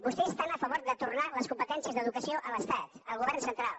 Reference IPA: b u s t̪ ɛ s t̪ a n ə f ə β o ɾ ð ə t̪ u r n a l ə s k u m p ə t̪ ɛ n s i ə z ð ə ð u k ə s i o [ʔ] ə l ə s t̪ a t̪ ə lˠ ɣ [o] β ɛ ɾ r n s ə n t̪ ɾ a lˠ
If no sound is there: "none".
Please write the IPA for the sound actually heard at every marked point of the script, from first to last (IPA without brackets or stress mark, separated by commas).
ʔ, u